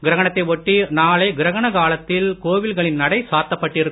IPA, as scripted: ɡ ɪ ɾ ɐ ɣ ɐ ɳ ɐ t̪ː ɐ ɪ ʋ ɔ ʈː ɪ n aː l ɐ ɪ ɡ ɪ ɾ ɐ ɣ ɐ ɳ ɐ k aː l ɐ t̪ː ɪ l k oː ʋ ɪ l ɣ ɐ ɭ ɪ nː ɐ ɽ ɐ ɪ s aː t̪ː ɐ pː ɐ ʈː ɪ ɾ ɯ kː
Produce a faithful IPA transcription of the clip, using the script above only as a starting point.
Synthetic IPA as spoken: ɡ ɪ ɾ ɐ ɣ ɐ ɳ ɐ t̪ː ɐ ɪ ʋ ɔ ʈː i n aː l ɐ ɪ ɡ ɪ ɾ ɐ ɣ ɐ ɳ ɐ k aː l ɐ t̪ː ɪ l k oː ʋ ɪ l ɣ ɐ ɭ ɪ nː ɐ ɽ ɐ ɪ s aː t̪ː ɐ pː ɐ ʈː ɪ ɾ ɯ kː